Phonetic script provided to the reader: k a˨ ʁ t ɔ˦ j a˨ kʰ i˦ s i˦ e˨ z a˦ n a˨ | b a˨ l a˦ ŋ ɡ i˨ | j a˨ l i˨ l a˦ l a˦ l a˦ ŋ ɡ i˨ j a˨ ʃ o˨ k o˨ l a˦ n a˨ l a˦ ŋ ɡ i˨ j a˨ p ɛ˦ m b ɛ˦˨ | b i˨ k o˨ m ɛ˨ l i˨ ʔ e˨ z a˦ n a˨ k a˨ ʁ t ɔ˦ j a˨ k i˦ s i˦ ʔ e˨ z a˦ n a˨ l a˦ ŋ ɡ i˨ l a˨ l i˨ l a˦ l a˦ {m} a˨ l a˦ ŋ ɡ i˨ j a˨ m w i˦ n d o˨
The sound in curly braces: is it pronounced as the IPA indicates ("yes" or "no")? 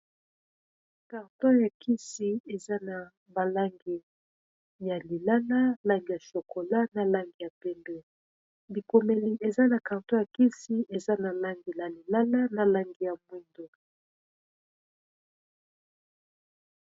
no